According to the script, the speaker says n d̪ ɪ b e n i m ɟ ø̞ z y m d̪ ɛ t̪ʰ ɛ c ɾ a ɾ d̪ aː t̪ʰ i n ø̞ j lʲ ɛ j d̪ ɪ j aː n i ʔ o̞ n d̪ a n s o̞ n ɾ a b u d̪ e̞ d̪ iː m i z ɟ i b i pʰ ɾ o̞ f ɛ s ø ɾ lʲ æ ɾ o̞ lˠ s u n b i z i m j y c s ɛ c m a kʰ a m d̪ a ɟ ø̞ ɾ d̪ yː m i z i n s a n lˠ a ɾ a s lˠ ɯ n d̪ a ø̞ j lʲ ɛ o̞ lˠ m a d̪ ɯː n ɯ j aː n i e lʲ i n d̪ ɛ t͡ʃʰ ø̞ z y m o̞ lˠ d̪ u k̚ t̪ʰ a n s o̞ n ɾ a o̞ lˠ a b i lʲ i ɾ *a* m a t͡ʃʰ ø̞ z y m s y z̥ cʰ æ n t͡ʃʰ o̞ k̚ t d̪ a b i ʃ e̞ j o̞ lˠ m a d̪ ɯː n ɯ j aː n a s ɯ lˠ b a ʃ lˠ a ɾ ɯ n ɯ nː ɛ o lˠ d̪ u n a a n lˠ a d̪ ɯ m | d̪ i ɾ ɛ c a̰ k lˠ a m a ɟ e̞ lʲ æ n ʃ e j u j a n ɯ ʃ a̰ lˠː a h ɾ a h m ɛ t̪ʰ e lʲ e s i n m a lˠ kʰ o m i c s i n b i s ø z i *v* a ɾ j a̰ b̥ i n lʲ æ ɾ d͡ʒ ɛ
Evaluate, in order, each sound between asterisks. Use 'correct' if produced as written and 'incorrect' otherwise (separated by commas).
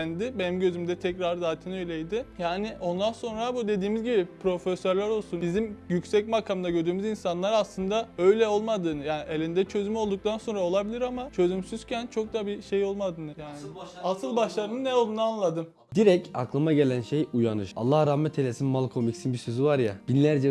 correct, correct